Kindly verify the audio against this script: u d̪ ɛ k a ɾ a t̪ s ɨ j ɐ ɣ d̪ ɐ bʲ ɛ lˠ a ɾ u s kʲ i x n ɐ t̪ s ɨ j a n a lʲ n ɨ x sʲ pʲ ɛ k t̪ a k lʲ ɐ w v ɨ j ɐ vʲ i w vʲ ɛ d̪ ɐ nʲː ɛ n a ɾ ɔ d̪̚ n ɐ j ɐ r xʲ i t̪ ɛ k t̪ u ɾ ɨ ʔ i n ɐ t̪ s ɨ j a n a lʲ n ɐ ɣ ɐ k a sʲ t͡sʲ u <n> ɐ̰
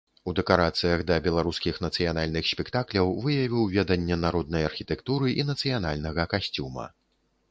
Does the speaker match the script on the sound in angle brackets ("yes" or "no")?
no